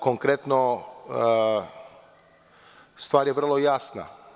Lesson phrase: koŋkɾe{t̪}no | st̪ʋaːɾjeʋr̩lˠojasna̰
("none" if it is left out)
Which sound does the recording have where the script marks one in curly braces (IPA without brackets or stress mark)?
t̪